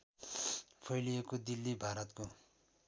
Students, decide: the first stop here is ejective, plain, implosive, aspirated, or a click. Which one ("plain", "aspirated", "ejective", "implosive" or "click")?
aspirated